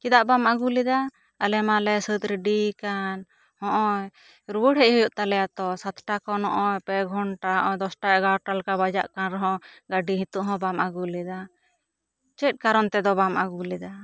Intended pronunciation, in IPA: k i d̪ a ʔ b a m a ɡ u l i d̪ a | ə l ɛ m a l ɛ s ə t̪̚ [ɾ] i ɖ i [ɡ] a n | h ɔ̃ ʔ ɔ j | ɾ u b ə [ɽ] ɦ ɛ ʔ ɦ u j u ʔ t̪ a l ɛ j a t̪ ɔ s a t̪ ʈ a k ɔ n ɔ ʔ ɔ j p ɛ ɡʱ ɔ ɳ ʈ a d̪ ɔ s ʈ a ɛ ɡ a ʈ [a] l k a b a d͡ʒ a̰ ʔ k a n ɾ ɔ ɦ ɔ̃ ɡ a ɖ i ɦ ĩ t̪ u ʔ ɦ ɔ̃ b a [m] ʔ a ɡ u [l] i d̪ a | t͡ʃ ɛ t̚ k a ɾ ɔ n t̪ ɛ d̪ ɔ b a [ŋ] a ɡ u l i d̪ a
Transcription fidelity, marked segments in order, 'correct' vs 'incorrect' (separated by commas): correct, incorrect, correct, correct, correct, correct, incorrect